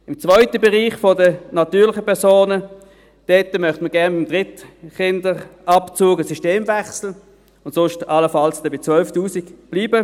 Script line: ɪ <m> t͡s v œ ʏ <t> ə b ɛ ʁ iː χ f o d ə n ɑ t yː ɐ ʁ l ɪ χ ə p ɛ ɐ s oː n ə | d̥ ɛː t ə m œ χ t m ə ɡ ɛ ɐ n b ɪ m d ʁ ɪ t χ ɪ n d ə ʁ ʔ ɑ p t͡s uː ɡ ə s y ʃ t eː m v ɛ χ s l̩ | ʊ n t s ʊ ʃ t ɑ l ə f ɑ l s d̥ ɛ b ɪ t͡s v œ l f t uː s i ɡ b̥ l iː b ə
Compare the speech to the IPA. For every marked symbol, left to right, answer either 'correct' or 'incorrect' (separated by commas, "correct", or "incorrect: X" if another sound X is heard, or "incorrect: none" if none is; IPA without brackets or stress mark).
correct, correct